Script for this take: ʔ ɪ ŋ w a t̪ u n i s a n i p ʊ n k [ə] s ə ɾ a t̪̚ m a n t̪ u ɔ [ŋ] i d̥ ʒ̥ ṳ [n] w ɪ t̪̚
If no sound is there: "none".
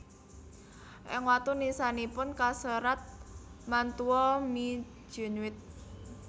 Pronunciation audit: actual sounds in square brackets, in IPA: a, m, n

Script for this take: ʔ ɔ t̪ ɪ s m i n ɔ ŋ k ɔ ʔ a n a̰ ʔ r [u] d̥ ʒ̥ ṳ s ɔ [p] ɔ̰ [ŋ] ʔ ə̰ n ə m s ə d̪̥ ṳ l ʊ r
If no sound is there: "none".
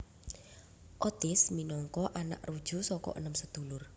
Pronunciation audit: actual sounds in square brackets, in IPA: u, k, none

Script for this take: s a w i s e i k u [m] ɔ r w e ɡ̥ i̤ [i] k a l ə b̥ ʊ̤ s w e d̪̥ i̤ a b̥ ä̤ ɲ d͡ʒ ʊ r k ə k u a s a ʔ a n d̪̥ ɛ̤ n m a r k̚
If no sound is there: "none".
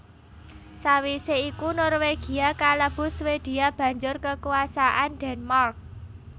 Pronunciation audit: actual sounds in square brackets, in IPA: n, a

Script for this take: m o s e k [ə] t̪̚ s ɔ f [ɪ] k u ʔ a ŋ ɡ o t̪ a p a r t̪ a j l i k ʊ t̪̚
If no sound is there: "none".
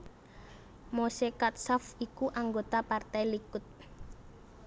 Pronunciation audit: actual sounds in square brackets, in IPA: a, i

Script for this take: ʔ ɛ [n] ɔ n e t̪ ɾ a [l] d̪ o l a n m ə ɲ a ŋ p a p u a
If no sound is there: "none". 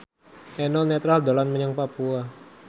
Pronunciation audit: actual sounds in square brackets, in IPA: n, l

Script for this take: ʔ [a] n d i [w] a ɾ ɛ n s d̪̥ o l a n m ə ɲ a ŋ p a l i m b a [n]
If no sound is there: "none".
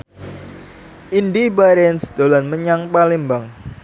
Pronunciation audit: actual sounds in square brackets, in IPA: i, b, ŋ

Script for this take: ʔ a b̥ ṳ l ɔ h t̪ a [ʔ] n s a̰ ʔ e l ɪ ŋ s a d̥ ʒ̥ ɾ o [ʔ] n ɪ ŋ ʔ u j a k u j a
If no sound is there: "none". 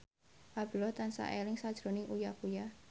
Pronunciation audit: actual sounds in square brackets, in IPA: none, none

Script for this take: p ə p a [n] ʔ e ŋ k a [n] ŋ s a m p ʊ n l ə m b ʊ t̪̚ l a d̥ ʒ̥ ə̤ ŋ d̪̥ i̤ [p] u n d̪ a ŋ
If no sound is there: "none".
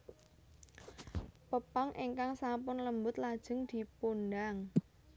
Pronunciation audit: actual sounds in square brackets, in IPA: ŋ, none, p

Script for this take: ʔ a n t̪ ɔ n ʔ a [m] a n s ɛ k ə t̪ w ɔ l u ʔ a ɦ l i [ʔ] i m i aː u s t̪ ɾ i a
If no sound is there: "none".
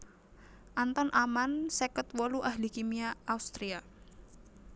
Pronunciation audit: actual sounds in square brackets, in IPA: m, k

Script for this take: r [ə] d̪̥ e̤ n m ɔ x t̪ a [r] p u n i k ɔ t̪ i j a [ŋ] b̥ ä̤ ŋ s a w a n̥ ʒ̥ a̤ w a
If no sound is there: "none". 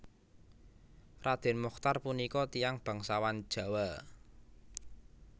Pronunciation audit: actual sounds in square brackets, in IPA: a, r, ŋ

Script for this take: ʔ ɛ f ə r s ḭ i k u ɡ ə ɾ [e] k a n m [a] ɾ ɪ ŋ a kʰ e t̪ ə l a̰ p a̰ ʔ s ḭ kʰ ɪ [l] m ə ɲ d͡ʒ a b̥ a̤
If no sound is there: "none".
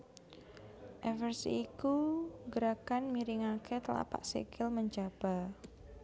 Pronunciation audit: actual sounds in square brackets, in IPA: a, i, l

